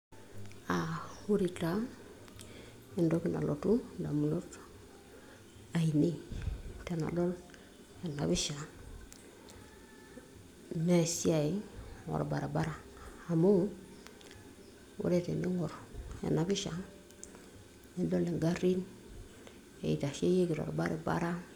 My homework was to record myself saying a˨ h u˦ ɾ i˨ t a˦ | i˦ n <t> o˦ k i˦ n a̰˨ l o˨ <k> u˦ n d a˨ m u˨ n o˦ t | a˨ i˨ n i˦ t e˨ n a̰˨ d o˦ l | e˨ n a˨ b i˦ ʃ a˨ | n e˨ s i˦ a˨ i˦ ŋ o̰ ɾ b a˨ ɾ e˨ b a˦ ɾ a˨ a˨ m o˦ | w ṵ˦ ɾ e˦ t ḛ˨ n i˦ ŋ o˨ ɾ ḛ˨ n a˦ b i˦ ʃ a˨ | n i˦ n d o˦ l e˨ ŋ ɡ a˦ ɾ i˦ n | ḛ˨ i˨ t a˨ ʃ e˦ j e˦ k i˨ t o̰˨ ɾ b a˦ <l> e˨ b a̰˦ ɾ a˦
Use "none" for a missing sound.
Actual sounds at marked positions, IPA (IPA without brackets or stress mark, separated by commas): d, t, ɾ